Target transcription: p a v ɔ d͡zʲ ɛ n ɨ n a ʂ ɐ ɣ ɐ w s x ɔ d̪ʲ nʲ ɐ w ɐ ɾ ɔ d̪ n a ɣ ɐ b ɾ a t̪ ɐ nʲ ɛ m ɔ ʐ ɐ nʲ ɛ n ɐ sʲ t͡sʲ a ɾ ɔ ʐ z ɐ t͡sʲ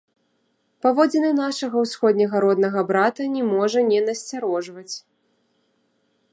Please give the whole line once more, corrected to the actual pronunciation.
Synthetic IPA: p a v ɔ d͡zʲ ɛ n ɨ n a ʂ ɐ ɣ ɐ w s x ɔ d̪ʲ nʲ ɐ ɣ ɐ ɾ ɔ d̪ n ɐ ɣ ɐ b ɾ a t̪ ɐ nʲ ɛ m ɔ ʐ ɐ nʲ ɛ n ɐ sʲ t͡sʲ a ɾ ɔ ʐ v ɐ t͡sʲ